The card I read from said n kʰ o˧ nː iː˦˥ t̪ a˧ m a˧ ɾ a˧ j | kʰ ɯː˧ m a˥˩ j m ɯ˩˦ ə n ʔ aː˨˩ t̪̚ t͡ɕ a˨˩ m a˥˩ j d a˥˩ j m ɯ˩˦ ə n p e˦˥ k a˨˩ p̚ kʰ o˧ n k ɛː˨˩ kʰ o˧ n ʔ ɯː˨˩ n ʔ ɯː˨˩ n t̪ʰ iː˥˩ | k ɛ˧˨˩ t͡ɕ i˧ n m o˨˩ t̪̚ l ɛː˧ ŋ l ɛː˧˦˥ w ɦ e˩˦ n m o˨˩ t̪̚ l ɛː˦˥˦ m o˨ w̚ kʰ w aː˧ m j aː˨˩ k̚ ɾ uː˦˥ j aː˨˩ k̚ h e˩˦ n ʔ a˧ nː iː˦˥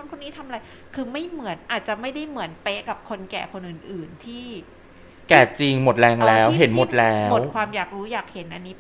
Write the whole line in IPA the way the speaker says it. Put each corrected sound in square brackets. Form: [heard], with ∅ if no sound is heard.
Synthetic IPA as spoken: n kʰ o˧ nː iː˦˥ [t̪ʰ] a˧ m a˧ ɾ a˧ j | kʰ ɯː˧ m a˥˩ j m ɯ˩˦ ə n ʔ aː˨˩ t̪̚ t͡ɕ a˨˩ m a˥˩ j d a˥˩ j m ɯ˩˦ ə n p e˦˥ k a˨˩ p̚ kʰ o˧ n k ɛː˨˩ kʰ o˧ n ʔ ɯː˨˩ n ʔ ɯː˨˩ n t̪ʰ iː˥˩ | k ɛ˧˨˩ t͡ɕ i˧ [ŋ] m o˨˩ t̪̚ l ɛː˧ ŋ l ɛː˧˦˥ w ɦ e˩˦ n m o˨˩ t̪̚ l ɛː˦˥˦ m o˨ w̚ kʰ w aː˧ m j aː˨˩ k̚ ɾ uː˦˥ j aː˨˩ k̚ h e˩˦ n ʔ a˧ nː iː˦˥